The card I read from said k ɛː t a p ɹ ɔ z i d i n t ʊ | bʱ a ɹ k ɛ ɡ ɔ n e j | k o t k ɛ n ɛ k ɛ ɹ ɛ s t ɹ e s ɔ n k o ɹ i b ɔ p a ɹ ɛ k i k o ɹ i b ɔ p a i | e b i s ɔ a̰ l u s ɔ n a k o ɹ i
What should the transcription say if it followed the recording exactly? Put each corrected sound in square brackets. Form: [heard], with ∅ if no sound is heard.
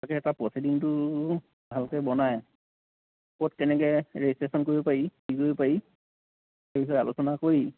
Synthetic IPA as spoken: k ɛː t a p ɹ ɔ [s] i d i n t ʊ | bʱ a [l] k ɛ [b] ɔ n [a] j | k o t k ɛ n ɛ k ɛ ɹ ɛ s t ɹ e s ɔ n k o ɹ i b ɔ p a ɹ [i] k i k o ɹ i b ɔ p a i | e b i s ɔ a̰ l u s ɔ n a k o ɹ i